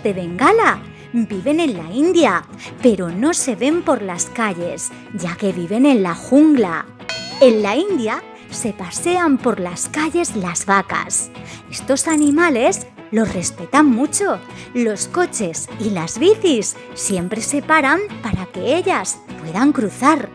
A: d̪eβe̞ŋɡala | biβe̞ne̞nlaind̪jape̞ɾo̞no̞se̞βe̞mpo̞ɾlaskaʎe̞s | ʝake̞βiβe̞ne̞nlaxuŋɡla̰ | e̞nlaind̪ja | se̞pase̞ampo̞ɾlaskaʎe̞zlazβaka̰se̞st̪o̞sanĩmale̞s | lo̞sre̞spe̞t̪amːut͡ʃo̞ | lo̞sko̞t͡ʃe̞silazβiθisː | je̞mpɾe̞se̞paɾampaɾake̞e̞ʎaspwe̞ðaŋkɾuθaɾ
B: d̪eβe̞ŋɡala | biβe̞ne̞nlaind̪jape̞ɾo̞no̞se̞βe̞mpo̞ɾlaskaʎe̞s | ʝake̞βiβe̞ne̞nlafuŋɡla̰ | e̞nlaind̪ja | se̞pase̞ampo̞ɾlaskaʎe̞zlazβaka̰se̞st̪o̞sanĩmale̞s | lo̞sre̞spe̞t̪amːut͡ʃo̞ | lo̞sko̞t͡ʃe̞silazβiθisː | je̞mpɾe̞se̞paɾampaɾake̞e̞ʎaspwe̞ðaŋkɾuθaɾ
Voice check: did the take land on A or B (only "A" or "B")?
A